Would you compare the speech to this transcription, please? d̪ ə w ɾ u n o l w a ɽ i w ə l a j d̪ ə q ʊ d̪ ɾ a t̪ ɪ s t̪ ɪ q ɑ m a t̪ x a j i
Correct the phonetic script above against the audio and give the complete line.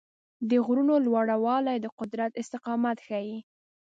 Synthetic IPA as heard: d̪ ə ɣ ɾ u n o l w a ɽ a w ɑ l a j d̪ ə q ʊ d̪ ɾ a t̪ ɪ s t̪ ɪ q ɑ m a t̪ x a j i